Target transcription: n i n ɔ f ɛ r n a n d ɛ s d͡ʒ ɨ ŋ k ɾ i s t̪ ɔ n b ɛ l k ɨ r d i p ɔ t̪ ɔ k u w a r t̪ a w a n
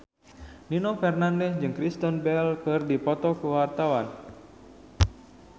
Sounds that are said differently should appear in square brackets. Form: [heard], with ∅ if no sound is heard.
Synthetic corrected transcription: n i n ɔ f ɛ r n a n d ɛ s d͡ʒ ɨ ŋ k ɾ i s t̪ ɔ n b ɛ l k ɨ r d i p ɔ t̪ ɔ k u w a r t̪ a w a n